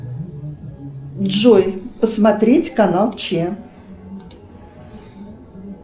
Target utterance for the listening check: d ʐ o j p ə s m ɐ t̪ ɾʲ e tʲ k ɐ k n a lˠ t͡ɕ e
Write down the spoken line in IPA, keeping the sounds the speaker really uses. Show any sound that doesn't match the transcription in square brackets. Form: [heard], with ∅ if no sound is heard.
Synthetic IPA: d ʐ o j p ə s m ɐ t̪ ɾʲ e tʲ k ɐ [∅] n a lˠ t͡ɕ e